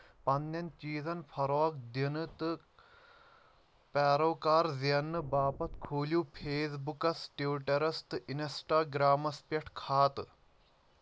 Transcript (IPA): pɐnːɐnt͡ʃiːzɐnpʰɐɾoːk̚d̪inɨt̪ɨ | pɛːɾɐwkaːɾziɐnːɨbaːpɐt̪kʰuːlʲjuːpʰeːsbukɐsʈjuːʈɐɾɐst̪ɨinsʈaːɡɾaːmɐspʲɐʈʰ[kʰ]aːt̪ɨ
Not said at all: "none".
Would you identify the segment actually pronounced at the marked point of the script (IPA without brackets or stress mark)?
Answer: kʰ